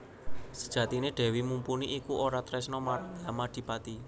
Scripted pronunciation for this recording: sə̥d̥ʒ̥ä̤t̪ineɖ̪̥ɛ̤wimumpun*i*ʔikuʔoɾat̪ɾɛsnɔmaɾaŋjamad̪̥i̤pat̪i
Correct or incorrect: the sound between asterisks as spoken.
correct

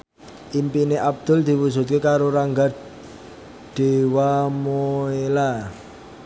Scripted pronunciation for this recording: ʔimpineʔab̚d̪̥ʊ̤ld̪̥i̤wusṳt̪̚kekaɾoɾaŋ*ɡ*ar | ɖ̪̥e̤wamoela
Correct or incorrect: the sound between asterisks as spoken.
correct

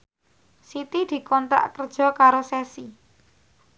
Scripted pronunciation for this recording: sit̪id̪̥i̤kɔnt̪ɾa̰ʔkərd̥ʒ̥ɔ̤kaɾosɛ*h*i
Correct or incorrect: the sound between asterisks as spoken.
incorrect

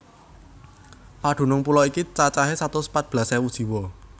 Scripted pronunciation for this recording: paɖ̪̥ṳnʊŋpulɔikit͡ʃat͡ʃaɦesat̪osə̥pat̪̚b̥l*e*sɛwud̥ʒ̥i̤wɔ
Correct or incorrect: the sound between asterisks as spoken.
incorrect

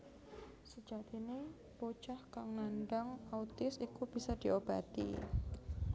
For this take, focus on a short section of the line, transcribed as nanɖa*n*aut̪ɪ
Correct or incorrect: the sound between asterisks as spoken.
incorrect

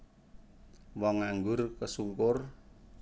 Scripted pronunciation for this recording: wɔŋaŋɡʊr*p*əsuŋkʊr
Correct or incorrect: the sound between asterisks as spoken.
incorrect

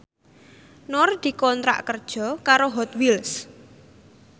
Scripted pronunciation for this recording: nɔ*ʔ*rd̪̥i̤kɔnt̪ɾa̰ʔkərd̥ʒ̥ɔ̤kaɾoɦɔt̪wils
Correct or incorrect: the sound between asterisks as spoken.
incorrect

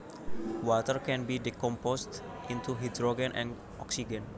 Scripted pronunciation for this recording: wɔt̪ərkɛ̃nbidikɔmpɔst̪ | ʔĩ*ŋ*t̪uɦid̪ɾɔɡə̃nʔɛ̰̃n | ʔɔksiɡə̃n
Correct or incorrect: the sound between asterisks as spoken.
incorrect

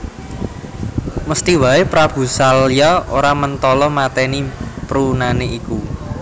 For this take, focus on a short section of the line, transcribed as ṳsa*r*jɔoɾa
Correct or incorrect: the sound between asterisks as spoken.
incorrect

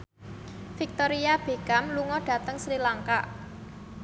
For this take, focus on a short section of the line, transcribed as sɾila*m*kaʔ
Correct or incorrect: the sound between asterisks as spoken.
incorrect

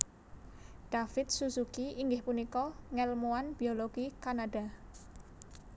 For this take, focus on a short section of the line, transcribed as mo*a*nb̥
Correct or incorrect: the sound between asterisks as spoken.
correct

